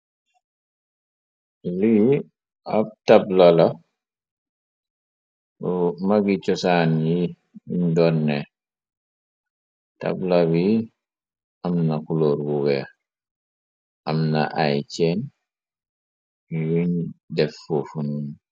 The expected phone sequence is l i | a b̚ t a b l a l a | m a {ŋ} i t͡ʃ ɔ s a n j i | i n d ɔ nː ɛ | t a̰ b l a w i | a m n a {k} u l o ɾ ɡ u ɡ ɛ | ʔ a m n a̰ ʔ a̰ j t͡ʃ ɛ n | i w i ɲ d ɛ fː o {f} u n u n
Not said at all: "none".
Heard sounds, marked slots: ɡ, k, f

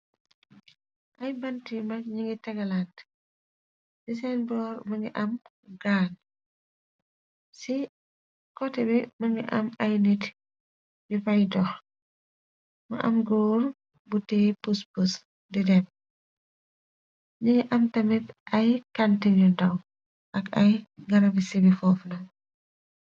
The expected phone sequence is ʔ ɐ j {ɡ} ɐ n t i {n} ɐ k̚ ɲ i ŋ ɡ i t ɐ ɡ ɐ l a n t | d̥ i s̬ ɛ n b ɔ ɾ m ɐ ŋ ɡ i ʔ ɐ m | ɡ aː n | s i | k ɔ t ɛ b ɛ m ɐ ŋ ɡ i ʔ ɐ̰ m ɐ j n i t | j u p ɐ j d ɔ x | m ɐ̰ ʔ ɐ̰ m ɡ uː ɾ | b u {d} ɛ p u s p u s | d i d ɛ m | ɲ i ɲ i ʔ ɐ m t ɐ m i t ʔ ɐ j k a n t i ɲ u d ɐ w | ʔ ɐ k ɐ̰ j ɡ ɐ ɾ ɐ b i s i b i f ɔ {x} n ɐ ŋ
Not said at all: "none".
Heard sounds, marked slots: b, m, t, f

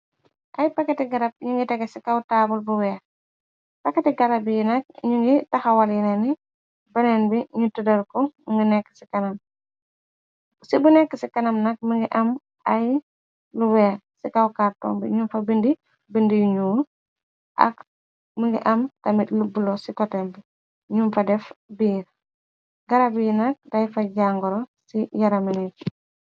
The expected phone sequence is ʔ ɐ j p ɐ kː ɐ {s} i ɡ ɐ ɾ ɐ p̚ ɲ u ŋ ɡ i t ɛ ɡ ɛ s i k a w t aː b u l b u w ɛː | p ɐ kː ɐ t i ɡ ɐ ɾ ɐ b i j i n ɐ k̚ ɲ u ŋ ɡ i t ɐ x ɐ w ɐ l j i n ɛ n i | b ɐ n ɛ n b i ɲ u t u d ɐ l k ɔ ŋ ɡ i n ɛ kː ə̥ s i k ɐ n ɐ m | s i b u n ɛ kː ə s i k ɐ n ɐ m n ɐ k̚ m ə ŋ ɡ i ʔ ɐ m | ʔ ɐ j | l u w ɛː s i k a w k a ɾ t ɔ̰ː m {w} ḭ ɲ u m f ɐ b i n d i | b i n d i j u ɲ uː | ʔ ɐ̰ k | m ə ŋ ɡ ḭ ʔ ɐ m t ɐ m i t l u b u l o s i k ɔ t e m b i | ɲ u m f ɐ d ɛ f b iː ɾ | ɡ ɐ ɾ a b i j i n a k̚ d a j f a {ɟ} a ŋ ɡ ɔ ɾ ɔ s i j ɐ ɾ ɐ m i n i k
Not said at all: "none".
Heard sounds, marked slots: t, b, ɟ

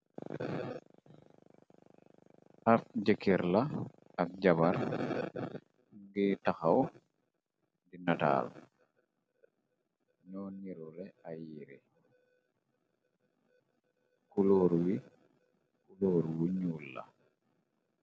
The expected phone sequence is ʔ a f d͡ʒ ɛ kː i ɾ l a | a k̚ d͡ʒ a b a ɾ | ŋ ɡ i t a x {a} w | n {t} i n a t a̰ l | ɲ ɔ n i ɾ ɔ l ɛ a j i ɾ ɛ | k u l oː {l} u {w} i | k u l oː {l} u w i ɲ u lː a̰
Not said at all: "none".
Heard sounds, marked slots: a, d, ɾ, w, ɾ

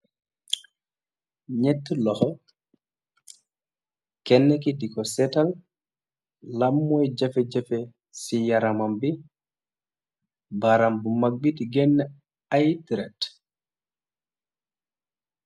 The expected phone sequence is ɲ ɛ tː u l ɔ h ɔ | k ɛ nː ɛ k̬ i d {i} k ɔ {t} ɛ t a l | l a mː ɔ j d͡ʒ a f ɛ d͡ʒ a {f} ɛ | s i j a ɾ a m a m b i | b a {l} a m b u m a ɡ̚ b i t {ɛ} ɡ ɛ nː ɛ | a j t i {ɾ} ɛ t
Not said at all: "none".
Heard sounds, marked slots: i, s, f, ɾ, i, ɾ

